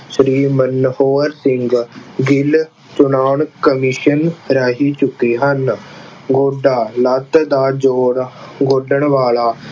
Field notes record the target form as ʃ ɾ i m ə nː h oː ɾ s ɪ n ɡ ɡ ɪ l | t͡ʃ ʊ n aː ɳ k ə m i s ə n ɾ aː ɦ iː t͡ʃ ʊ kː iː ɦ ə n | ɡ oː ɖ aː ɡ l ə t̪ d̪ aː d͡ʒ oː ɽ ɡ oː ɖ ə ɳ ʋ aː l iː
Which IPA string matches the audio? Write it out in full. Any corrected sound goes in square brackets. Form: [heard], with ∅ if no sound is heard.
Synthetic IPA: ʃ ɾ [iː] m ə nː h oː ɾ s ɪ [ŋ] ɡ ɡ ɪ l | t͡ʃ ʊ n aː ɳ k ə m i [ʃ] ə n ɾ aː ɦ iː t͡ʃ ʊ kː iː ɦ ə n | ɡ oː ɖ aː [∅] l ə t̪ d̪ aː d͡ʒ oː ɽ ɡ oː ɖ ə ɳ ʋ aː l [aː]